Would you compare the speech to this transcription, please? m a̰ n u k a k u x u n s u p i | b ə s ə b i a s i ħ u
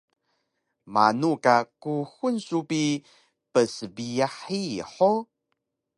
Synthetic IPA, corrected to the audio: m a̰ n u k a k u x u n s u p i | p ə s ə b i a ħ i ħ o